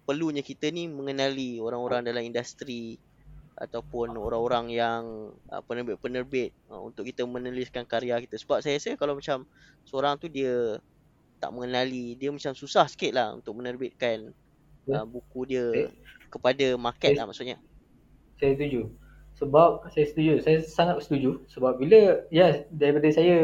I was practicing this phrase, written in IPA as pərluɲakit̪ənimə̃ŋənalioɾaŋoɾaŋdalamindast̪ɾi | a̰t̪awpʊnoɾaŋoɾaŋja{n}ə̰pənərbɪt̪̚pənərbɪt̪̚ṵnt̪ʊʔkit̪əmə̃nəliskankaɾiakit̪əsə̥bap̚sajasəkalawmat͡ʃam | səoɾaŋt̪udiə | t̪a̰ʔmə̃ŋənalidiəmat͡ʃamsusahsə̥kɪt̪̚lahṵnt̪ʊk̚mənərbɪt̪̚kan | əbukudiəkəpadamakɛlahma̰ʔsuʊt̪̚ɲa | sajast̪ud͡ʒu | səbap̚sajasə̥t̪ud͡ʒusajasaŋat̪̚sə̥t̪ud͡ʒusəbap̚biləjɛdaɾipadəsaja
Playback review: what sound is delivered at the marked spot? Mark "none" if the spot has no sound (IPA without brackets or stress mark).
ŋ